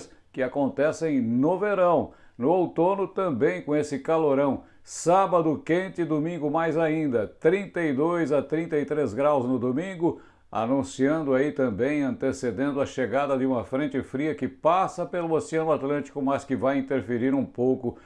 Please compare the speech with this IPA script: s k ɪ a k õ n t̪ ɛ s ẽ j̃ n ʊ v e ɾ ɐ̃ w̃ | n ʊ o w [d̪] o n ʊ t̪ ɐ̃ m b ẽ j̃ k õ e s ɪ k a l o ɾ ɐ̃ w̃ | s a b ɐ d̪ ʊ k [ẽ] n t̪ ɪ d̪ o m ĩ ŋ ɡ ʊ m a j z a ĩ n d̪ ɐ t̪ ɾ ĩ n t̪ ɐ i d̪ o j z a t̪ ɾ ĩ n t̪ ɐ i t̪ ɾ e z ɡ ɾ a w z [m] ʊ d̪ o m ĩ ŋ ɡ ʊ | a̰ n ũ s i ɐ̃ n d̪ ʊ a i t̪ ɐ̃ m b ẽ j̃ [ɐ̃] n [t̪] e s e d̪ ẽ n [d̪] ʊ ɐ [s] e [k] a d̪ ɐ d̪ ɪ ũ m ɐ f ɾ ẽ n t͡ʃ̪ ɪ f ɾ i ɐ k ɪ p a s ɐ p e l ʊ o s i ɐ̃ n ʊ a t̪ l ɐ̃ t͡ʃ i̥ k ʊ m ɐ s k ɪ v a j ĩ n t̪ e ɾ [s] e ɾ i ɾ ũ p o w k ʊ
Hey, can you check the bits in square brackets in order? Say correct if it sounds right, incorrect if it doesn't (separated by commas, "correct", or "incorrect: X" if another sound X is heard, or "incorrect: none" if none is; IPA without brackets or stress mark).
incorrect: t̪, correct, incorrect: n, correct, correct, correct, incorrect: ʃ, incorrect: ɡ, incorrect: f